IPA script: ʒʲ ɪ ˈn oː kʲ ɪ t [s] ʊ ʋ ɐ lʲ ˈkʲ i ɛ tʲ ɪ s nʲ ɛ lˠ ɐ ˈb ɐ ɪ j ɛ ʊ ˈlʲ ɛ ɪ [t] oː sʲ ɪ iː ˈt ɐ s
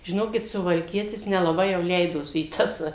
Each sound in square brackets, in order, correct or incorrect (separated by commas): correct, incorrect